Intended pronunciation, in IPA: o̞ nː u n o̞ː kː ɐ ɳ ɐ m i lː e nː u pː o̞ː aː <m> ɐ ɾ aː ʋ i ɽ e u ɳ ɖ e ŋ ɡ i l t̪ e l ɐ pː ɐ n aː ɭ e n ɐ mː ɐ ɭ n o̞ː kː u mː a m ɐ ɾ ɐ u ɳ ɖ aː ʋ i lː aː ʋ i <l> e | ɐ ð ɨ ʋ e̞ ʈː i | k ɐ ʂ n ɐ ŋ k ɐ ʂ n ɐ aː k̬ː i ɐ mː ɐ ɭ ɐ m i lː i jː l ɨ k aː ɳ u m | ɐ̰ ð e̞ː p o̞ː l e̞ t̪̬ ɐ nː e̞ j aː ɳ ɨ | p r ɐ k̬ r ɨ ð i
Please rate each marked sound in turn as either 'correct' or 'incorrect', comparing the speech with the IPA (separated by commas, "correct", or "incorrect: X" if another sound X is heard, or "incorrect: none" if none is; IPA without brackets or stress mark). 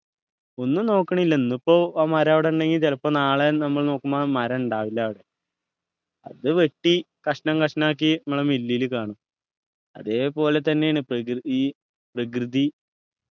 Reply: correct, incorrect: ɽ